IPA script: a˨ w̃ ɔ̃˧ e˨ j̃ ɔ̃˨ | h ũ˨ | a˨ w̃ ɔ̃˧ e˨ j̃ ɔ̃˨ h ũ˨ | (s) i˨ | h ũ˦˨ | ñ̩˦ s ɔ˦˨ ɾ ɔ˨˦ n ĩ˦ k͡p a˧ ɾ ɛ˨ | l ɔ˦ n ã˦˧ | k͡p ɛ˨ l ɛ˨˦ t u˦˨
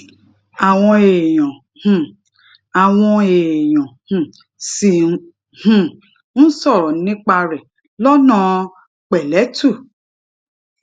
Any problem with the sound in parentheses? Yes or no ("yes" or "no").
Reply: no